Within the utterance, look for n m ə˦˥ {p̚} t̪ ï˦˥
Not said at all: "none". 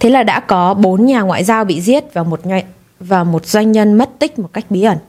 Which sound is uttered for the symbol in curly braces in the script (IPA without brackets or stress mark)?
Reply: t̚